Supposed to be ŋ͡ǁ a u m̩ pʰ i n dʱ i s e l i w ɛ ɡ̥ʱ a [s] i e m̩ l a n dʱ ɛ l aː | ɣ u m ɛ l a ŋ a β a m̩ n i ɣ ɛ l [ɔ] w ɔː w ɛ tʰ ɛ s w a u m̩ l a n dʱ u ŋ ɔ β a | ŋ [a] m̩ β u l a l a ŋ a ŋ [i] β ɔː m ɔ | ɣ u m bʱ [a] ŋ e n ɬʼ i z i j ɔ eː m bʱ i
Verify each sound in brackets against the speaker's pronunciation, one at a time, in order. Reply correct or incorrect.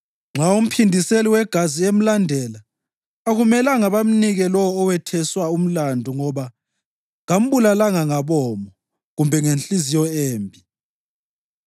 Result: incorrect, correct, correct, incorrect, incorrect

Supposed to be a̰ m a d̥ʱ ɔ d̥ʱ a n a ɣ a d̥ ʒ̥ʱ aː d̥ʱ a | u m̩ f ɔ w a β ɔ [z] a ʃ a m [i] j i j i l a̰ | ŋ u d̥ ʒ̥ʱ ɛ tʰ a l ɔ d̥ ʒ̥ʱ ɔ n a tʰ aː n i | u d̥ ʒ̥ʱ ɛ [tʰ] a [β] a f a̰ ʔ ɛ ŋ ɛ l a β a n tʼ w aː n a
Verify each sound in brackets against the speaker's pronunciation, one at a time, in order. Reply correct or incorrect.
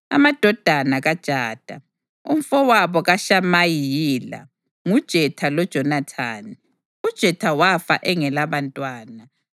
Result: incorrect, incorrect, correct, incorrect

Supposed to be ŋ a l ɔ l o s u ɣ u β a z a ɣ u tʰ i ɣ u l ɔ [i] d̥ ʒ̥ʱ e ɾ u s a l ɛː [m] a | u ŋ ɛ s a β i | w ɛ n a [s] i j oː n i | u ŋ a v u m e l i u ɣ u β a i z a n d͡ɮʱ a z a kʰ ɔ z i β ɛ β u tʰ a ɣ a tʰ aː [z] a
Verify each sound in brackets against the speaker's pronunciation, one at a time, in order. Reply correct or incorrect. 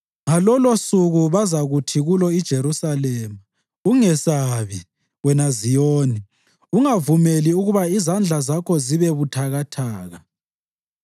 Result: correct, correct, incorrect, incorrect

